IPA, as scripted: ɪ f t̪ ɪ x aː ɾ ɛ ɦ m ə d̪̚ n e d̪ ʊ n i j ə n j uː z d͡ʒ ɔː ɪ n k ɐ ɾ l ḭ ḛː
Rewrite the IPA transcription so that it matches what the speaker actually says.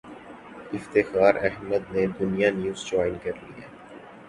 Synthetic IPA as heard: ɪ f t̪ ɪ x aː ɾ ɛ ɦ m ə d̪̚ n e d̪ ʊ n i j a n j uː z d͡ʒ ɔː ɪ n k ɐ ɾ l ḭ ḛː